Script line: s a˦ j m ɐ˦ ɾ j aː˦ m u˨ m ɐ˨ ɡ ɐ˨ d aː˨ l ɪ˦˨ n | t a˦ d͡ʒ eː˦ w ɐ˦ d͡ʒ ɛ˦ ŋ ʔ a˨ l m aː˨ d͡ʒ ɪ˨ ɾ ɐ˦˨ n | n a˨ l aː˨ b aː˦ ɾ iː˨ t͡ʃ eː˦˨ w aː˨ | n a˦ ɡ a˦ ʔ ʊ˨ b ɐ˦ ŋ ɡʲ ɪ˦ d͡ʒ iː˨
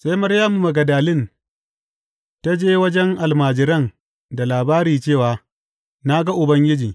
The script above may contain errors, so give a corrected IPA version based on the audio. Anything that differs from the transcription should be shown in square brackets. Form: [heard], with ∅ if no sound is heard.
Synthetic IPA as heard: s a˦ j m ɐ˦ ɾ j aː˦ m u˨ m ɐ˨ ɡ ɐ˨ d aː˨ l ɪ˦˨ n | t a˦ d͡ʒ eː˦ w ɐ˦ d͡ʒ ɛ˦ ŋ ʔ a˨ l m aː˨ d͡ʒ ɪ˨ ɾ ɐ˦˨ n | [d] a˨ l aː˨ b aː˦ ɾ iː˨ t͡ʃ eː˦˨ w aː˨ | n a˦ ɡ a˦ ʔ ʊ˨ b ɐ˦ ŋ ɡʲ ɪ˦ d͡ʒ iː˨

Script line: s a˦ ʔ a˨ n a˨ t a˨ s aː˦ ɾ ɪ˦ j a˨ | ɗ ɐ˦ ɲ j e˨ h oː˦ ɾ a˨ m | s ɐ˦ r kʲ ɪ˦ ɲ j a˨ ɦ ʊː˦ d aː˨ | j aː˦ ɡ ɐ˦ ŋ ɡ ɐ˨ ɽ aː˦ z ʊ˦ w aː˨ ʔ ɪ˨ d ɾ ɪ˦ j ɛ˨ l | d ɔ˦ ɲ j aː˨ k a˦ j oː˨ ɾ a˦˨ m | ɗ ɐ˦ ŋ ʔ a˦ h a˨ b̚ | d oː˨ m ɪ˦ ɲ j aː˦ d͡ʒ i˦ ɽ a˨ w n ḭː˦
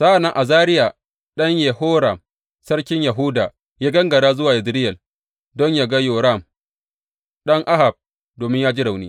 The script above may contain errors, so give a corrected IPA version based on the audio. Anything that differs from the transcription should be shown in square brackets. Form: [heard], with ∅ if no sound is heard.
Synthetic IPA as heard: s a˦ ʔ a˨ n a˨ [ʔ] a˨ [z] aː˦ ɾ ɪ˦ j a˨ | ɗ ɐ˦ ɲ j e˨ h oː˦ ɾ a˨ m | s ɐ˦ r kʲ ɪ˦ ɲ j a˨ ɦ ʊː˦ d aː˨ | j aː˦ ɡ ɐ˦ ŋ ɡ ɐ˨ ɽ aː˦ z ʊ˦ w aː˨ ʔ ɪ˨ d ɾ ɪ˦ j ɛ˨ l | d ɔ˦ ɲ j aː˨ [ɡ] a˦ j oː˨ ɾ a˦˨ m | ɗ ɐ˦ ŋ ʔ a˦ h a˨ b̚ | d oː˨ m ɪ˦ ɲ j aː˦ d͡ʒ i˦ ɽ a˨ w n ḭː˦

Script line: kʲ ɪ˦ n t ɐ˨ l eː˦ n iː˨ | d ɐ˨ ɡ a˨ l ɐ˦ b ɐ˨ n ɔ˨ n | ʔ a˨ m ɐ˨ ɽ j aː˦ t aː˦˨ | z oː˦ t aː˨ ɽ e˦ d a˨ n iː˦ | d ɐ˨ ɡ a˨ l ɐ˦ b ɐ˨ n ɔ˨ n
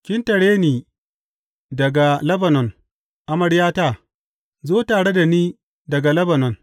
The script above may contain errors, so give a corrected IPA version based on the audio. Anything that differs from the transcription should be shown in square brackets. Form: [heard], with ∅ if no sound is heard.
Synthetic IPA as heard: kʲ ɪ˦ n t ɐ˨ [ɽ] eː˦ n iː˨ | d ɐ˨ ɡ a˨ l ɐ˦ b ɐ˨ n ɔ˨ n | ʔ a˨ m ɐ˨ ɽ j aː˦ t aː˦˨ | z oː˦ t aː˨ ɽ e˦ d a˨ n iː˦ | d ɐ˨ ɡ a˨ l ɐ˦ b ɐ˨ n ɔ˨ n

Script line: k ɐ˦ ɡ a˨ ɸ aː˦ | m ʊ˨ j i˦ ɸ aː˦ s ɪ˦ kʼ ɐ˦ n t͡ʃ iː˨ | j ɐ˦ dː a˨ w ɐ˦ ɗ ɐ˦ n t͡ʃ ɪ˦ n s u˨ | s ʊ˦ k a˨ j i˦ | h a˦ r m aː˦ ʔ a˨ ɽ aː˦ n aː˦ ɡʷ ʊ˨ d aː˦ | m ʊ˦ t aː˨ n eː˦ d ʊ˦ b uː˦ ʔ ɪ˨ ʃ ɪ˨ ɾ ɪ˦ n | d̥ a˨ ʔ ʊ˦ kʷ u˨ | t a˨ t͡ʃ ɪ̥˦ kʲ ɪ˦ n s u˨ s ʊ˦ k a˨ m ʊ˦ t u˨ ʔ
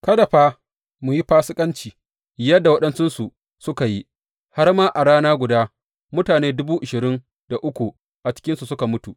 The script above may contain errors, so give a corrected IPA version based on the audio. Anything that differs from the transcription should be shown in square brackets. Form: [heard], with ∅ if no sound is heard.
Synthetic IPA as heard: k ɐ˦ [d] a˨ ɸ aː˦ | m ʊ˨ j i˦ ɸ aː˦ s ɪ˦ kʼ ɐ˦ n t͡ʃ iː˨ | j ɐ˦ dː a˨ w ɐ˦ ɗ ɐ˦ n t͡ʃ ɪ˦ n s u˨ | s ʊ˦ k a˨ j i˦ | h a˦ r m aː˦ ʔ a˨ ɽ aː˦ n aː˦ ɡʷ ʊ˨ d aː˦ | m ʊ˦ t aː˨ n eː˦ d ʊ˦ b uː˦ ʔ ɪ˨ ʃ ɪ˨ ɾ ɪ˦ n | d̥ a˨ ʔ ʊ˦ kʷ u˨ | [ʔ] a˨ t͡ʃ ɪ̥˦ kʲ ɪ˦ n s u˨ s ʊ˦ k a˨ m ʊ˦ t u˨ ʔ

